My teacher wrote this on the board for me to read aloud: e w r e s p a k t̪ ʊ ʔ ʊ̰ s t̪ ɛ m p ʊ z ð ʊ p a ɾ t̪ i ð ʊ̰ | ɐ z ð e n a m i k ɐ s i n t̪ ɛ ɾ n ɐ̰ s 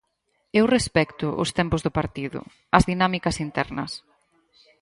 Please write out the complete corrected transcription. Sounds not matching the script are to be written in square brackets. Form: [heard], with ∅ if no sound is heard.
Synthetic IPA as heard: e w r e s p [ɛ] k t̪ ʊ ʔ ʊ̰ s t̪ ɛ m p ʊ z ð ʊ p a ɾ t̪ i ð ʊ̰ | ɐ z ð [i] n a m i k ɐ s i n t̪ ɛ ɾ n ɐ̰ s